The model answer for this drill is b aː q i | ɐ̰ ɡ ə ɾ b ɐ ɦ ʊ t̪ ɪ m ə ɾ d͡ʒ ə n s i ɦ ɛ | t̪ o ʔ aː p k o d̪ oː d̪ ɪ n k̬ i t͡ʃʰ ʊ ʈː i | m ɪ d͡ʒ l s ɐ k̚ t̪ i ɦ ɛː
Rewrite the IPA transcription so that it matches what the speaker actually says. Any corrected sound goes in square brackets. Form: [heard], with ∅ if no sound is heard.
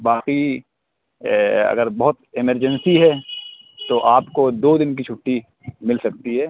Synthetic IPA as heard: b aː q i | ɐ̰ ɡ ə ɾ b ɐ ɦ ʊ t̪ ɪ m ə ɾ d͡ʒ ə n s i ɦ ɛ | t̪ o ʔ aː p k o d̪ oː d̪ ɪ n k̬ i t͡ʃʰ ʊ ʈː i | m ɪ [∅] l s ɐ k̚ t̪ i ɦ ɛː